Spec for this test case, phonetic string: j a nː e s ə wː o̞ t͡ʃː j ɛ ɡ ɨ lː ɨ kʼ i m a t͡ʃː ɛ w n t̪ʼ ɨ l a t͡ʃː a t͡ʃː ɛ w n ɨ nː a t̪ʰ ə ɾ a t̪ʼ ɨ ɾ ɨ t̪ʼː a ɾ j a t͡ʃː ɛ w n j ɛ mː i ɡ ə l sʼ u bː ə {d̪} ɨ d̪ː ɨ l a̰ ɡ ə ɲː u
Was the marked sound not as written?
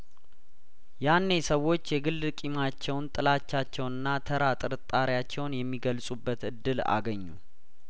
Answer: yes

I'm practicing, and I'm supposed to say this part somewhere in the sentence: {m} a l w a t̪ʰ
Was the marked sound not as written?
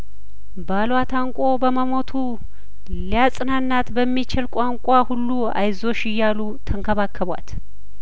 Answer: yes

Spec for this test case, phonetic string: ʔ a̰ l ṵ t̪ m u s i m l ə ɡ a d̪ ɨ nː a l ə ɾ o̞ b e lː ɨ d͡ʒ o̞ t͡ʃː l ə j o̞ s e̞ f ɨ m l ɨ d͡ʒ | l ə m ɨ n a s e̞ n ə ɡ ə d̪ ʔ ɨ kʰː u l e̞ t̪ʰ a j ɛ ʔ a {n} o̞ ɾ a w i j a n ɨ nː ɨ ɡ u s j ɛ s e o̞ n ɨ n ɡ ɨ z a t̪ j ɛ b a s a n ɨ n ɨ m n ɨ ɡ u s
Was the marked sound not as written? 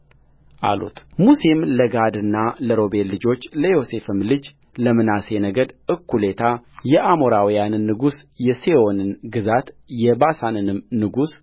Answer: yes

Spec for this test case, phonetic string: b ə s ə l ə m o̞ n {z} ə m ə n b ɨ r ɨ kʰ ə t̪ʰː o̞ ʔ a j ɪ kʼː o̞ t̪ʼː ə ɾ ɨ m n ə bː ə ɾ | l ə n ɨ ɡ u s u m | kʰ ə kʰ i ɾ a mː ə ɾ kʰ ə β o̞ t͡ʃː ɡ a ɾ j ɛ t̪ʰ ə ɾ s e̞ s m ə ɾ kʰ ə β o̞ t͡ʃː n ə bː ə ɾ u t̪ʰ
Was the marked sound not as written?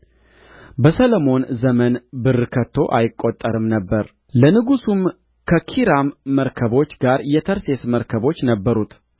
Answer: no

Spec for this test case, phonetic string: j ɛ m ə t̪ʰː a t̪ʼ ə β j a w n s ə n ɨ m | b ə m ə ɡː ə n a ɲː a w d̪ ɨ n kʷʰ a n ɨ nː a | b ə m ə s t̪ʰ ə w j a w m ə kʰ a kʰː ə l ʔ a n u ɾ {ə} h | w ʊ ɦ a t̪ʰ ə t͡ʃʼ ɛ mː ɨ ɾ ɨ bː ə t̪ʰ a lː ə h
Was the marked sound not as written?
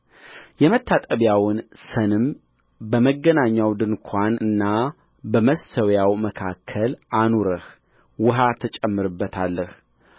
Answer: no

